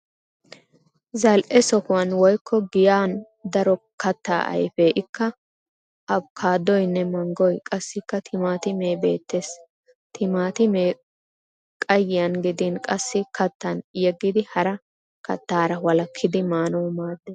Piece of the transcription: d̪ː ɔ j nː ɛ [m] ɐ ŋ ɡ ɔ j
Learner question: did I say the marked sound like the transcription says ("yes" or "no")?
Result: yes